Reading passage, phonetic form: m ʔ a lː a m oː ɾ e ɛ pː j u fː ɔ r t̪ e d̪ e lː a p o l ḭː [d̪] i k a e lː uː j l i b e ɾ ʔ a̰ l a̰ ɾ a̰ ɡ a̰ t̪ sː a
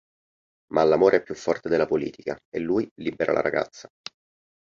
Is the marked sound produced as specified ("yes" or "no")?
no